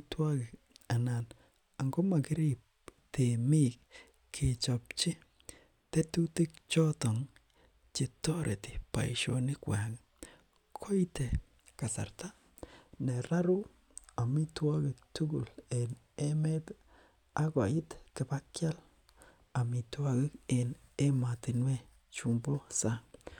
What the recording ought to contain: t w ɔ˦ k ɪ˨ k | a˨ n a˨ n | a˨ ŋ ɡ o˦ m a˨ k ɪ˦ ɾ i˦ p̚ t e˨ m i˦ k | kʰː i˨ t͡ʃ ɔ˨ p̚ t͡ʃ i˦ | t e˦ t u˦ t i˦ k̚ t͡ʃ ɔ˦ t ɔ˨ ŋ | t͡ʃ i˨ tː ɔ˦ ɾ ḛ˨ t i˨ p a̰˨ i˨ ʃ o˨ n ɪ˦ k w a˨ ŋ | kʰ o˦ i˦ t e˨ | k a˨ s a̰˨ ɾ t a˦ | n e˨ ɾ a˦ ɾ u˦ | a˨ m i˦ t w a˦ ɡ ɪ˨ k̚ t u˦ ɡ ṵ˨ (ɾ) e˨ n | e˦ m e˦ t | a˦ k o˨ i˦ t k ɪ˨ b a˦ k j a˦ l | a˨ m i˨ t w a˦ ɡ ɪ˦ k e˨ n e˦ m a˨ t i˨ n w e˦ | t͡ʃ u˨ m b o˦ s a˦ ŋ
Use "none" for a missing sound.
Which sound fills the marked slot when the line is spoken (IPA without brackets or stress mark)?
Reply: l